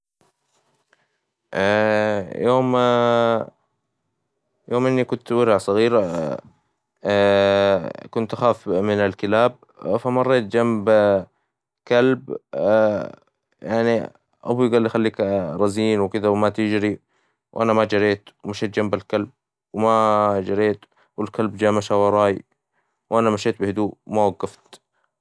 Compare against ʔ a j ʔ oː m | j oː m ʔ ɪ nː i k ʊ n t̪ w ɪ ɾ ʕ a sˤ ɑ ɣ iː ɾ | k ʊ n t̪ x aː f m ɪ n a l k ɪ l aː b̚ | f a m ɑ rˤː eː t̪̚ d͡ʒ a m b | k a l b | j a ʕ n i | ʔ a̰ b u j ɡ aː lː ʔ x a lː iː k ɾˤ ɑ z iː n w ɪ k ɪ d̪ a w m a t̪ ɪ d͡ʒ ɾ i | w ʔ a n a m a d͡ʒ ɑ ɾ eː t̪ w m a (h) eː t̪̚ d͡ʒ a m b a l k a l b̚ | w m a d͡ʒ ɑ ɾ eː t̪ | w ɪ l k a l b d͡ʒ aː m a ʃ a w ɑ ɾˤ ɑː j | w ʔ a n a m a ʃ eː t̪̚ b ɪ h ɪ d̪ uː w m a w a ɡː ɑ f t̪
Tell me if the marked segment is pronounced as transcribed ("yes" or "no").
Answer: no